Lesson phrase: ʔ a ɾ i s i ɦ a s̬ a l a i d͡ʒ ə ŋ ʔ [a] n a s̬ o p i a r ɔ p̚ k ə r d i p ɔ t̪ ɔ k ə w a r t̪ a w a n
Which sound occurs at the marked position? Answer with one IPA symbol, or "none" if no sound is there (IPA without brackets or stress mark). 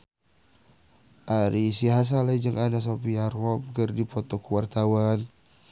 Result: a